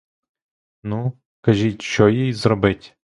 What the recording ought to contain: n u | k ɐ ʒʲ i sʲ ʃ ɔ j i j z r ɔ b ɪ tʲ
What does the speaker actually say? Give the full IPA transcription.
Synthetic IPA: n u | k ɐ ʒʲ i tʲ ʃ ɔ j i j z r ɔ b ɪ tʲ